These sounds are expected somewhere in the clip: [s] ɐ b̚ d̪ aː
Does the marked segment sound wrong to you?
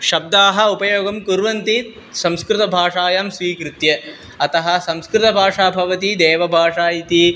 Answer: yes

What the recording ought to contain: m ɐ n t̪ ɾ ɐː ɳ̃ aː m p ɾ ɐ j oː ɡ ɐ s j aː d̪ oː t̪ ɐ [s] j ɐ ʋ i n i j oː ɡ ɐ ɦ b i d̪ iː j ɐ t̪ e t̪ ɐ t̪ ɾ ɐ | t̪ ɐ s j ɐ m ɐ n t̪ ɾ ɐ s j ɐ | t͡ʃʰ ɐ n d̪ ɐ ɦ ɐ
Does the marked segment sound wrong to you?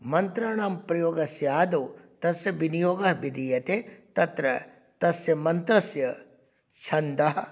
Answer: no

